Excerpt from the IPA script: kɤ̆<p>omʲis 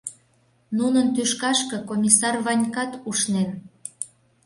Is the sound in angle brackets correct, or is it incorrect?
incorrect